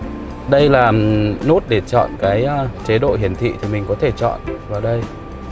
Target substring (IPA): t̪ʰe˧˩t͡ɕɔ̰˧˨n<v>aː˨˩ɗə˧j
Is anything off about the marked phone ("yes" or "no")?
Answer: no